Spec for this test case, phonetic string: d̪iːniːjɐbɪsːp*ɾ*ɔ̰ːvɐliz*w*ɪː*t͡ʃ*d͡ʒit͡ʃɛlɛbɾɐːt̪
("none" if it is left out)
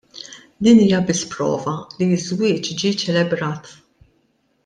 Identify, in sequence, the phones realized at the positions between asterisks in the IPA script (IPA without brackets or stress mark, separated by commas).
ɾ, w, t͡ʃ